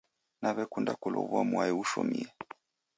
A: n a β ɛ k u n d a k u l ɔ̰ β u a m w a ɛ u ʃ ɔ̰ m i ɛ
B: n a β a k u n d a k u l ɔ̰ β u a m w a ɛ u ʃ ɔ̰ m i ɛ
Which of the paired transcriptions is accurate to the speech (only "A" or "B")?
A